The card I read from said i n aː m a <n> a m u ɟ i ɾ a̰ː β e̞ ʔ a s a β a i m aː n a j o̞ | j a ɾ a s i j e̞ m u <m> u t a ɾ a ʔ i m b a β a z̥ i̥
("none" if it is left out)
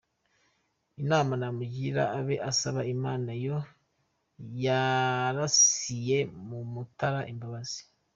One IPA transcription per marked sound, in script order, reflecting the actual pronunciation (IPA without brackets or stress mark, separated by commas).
n, m